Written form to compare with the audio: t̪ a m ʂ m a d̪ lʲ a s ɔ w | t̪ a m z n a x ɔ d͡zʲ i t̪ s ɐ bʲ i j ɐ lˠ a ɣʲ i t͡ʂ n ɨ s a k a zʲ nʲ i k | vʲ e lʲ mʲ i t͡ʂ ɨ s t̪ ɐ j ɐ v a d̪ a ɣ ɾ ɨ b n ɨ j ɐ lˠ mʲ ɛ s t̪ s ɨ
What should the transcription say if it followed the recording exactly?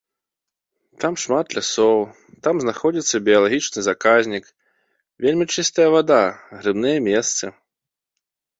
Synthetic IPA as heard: t̪ a m ʂ m a t̪ lʲ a s ɔ w | t̪ a m z n a x ɔ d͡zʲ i t̪ sː ɐ bʲ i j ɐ lˠ a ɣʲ i t͡ʂ n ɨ z a k a zʲ nʲ i k | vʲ e lʲ mʲ i t͡ʂ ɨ s t̪ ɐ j ɐ v a d̪ a ɣ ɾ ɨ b n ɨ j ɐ mʲ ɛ s t̪ s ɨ